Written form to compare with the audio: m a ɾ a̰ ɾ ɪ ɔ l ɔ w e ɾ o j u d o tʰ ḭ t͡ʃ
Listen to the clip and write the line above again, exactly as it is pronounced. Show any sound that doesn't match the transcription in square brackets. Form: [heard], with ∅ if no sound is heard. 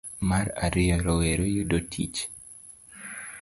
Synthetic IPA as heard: m a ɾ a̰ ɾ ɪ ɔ [ɾ] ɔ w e ɾ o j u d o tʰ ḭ t͡ʃ